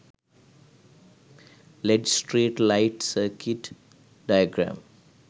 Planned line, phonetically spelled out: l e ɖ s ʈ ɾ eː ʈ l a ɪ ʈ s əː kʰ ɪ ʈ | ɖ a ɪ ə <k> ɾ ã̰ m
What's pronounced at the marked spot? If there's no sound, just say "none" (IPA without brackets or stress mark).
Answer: ɡ